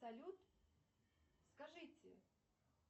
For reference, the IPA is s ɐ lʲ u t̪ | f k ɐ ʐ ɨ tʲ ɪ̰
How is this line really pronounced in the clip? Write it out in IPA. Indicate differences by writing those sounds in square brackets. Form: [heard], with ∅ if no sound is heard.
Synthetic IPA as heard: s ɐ lʲ u t̪ | [s] k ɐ ʐ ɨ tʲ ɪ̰